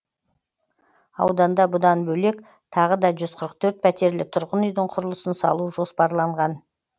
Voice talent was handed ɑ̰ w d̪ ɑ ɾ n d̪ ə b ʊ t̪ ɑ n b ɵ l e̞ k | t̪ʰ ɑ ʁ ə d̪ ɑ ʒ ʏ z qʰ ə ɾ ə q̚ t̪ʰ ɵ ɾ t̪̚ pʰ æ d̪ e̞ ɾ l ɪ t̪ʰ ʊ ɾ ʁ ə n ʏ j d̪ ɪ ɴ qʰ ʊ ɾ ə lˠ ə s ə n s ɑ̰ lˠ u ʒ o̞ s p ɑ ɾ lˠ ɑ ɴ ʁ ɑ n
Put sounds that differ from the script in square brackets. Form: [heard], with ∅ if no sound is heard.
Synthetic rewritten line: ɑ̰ w d̪ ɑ [∅] n d̪ [ɑ] b ʊ [d̪] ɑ n b ɵ l e̞ k | t̪ʰ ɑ ʁ ə d̪ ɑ ʒ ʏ z qʰ ə ɾ ə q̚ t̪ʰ ɵ ɾ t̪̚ pʰ æ [t̪] e̞ ɾ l ɪ t̪ʰ ʊ ɾ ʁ ə n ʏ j d̪ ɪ ɴ qʰ ʊ ɾ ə lˠ ə s ə n s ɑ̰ lˠ u ʒ o̞ s p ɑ ɾ lˠ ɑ ɴ ʁ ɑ n